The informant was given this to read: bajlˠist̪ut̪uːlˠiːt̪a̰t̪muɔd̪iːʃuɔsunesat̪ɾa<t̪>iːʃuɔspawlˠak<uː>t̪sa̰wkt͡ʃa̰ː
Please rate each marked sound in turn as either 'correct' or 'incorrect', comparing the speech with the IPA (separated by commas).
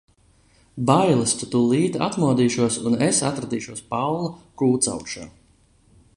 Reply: incorrect, correct